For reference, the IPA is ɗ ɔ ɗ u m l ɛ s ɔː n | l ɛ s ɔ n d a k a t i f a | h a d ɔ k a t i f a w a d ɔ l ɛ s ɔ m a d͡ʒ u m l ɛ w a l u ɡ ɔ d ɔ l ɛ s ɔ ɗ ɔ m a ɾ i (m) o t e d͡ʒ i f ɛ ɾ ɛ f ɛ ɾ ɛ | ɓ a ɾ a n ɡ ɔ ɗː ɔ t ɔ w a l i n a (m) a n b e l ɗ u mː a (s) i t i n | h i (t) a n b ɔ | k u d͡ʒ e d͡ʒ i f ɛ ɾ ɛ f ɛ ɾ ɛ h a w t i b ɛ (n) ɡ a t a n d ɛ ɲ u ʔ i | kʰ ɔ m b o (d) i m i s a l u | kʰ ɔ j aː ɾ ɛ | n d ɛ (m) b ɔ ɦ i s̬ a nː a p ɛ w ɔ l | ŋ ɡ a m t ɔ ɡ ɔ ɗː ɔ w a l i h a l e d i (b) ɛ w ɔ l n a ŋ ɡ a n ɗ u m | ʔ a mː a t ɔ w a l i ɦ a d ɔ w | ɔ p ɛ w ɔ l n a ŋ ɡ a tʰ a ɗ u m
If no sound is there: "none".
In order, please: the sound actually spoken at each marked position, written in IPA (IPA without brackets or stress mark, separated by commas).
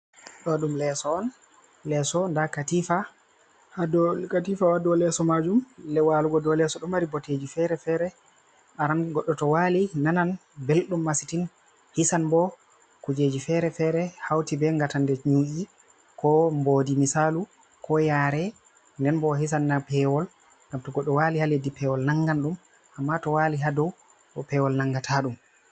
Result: b, n, s, s, ŋ, d, n, p